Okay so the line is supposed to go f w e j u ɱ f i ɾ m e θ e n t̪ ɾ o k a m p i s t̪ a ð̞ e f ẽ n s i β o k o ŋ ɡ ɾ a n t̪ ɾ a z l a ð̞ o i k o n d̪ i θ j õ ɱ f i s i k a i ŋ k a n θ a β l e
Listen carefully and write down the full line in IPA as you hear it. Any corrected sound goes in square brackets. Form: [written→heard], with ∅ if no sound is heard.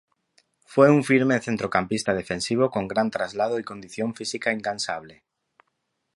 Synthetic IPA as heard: f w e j u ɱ f i ɾ m e θ e n t̪ ɾ o k a m p i s t̪ a ð̞ e f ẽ n s i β o k o ŋ ɡ ɾ a n t̪ ɾ a z l a ð̞ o i k o n d̪ i θ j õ ɱ f i s i k a i ŋ k a n [θ→s] a β l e